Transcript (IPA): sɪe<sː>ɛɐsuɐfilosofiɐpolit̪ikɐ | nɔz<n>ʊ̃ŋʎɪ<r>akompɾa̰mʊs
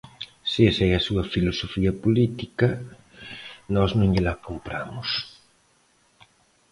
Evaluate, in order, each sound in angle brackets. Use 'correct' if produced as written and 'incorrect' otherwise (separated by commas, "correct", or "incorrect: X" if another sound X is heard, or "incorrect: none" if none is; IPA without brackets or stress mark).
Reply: incorrect: s, correct, incorrect: l